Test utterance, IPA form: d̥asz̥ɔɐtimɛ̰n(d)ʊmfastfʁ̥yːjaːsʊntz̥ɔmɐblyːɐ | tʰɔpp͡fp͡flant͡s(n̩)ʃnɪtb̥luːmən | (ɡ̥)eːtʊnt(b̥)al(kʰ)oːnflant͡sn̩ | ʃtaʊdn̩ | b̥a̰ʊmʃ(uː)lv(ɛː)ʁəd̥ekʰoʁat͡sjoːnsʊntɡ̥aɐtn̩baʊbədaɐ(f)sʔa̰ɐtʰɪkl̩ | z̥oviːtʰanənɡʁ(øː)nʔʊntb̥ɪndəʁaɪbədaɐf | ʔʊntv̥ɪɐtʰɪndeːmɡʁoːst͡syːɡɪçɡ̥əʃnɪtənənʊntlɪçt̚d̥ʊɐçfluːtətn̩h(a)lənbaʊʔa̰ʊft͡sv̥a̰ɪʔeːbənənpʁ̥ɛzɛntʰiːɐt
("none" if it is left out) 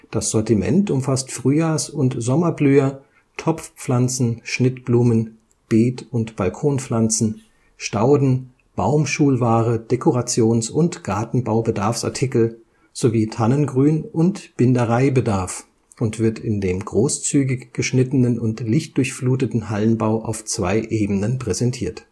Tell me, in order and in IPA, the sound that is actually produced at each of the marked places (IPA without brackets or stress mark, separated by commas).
t, n̩, b̥, b̥, kʰ, uː, aː, f, yː, a